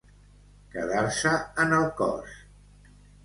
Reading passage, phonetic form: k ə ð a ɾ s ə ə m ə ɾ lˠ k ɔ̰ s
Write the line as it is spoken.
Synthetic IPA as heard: k ə ð a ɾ s ə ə n ə lˠ k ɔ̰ s